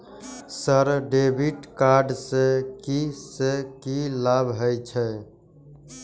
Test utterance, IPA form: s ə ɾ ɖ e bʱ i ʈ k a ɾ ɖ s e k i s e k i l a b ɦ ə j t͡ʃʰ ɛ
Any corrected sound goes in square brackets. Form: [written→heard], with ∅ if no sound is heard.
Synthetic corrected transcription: s ə ɾ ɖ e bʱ i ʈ k a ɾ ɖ s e k i s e k i l a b ɦ ə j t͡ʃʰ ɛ